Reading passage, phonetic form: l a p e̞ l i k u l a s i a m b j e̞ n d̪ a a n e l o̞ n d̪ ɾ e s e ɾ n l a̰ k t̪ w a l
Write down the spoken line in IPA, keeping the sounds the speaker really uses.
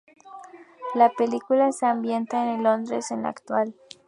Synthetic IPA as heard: l a p e̞ l i k u l a s e a m b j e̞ n t̪ a e n e l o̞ n d̪ ɾ e s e n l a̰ k t̪ w a l

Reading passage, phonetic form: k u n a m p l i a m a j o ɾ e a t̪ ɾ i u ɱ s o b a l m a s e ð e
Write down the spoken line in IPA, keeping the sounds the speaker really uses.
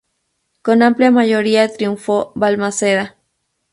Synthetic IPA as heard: k o n a m p l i a m a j o ɾ i a t̪ ɾ i u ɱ f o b a l m a s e ð a

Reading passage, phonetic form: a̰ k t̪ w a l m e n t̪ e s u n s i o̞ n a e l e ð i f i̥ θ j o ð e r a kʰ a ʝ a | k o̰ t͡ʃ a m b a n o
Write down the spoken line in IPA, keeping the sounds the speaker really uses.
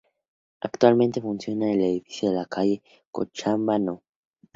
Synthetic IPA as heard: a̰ k t̪ w a l m e n t̪ e f u n s j o̞ n a e l e ð i f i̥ s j o ð e l a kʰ a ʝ e | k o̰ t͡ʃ a m b a n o

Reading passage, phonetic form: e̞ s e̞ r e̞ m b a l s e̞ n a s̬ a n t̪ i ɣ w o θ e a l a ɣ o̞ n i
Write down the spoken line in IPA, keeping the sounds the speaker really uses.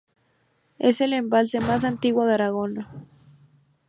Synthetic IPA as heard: e̞ s e̞ l e̞ m b a l s e̞ m a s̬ a n t̪ i ɣ w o ð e a ɾ a ɣ o̞ n a

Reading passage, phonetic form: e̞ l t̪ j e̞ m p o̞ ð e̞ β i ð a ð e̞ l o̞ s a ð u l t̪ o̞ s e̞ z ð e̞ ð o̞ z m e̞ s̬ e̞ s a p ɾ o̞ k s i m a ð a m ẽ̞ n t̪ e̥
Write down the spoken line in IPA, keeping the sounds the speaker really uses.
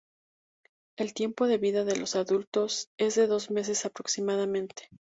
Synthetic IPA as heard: e̞ l t̪ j e̞ m p o̞ ð e̞ β i ð a ð e̞ l o̞ s a ð u l t̪ o̞ s e̞ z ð e̞ ð o̞ z m e̞ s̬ e̞ s a p ɾ o̞ k s i m a ð a m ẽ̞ n t̪ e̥

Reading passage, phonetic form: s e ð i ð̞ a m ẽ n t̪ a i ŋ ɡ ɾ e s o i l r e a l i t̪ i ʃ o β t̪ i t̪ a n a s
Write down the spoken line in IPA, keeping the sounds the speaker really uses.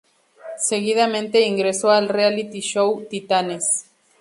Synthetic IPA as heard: s e ɣ i ð̞ a m ẽ n t̪ e i ŋ ɡ ɾ e s o a l r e a l i t̪ i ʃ o w t̪ i t̪ a n e s

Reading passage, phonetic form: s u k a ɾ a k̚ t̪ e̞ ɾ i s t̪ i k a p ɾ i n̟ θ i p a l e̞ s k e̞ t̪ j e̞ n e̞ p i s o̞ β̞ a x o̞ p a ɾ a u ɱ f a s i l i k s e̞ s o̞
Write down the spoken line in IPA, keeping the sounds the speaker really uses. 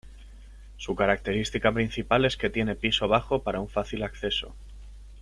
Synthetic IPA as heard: s u k a ɾ a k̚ t̪ e̞ ɾ i s t̪ i k a p ɾ i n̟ θ i p a l e̞ s k e̞ t̪ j e̞ n e̞ p i s o̞ β̞ a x o̞ p a ɾ a u ɱ f a θ i l a k θ e̞ s o̞

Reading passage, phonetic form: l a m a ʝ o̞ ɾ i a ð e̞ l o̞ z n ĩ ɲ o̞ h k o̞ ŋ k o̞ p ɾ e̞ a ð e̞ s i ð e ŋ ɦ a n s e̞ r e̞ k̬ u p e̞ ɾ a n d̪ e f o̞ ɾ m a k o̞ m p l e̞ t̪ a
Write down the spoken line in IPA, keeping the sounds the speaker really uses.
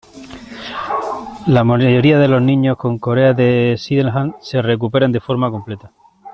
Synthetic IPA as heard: l a m a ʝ o̞ ɾ i a ð e̞ l o̞ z n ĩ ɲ o̞ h k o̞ ŋ k o̞ ɾ e̞ a ð e̞ s i ð e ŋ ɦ a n s e̞ r e̞ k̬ u p e̞ ɾ a n d̪ e f o̞ ɾ m a k o̞ m p l e̞ t̪ a

